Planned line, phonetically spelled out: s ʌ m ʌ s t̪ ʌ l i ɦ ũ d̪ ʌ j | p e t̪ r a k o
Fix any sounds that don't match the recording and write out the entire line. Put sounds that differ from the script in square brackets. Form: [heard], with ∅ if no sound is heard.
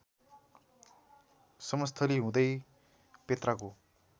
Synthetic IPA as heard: s ʌ m ʌ s [t̪ʰ] ʌ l i ɦ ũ d̪ ʌ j | p e t̪ r a k o